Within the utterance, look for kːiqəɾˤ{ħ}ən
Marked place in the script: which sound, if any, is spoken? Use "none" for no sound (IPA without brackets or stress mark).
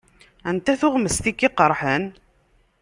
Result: ħ